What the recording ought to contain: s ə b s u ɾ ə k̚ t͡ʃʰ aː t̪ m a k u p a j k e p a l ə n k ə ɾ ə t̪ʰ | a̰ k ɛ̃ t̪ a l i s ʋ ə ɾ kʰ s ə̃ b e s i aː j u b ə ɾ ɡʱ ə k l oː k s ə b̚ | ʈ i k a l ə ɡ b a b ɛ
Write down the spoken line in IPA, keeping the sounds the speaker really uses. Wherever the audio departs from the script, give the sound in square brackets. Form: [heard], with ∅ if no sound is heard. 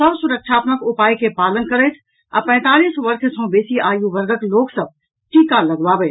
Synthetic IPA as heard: s ə b s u ɾ ə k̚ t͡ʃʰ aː t̪ m [ə] k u p a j k e p a l ə n k ə ɾ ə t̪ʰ | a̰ [p] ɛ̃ t̪ a l i s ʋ ə ɾ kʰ s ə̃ b e s i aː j u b ə ɾ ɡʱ ə k l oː k s ə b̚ | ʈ i k a l ə ɡ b a b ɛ